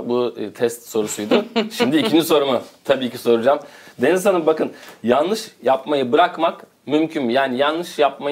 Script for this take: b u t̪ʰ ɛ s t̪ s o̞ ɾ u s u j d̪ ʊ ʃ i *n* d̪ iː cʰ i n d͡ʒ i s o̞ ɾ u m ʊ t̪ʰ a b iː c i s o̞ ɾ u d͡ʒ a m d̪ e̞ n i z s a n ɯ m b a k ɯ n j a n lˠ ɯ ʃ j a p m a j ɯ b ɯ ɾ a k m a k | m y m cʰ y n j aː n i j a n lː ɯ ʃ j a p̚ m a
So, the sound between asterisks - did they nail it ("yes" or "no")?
no